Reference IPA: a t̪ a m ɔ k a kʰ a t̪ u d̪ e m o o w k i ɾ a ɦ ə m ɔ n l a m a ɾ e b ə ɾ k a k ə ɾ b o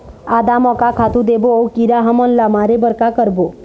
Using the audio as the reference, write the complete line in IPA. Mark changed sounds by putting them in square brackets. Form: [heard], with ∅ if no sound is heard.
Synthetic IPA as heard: a [d̪] a m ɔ k a kʰ a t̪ u d̪ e [b] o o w k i ɾ a ɦ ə m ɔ n l a m a ɾ e b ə ɾ k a k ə ɾ b o